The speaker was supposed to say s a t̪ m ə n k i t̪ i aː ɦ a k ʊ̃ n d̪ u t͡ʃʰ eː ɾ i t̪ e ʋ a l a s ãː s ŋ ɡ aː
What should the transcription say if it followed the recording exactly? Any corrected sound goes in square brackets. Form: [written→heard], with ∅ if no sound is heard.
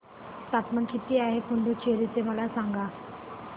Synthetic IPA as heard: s a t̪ m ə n k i t̪ i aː ɦ [a→e] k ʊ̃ n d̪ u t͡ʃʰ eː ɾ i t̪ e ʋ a l a s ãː [s→∅] ŋ ɡ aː